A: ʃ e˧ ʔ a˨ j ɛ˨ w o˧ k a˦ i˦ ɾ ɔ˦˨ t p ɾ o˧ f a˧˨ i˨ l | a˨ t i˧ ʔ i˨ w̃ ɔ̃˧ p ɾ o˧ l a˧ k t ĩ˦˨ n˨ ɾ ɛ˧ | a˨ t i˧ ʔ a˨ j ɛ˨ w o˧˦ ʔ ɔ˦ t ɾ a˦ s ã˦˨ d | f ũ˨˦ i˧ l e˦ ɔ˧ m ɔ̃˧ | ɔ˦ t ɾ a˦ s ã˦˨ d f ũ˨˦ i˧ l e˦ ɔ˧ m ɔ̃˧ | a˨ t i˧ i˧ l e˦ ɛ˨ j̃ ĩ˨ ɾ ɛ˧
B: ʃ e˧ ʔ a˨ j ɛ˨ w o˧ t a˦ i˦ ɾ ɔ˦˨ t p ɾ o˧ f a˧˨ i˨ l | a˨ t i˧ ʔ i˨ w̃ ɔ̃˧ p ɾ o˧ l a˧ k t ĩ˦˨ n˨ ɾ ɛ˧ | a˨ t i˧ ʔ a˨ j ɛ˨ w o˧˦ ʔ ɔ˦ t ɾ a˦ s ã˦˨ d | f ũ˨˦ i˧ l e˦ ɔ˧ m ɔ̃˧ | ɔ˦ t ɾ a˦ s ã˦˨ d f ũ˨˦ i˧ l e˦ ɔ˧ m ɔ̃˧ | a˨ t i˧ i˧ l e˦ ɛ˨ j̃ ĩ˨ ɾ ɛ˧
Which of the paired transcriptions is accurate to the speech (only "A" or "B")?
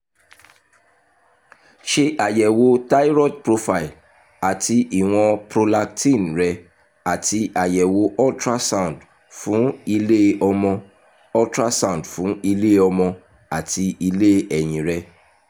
B